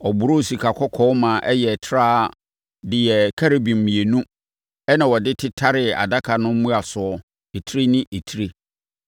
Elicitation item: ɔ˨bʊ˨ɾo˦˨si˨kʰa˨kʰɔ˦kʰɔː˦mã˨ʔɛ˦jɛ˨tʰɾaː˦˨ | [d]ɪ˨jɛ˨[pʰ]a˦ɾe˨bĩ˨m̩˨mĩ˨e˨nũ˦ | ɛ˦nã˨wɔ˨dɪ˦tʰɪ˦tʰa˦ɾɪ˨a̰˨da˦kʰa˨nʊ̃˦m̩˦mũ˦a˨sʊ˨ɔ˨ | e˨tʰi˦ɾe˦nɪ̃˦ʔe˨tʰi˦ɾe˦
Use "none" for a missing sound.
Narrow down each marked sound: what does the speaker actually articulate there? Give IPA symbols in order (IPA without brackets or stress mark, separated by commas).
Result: d, kʰ